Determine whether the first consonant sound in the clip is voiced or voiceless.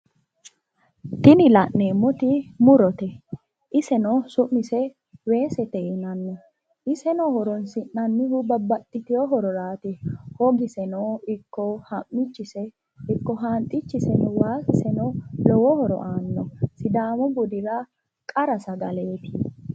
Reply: voiceless